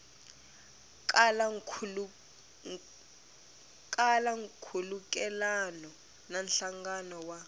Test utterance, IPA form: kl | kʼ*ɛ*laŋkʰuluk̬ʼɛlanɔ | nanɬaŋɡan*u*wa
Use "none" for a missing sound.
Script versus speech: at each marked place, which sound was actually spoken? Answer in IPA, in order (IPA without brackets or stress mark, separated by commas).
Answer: a, ɔ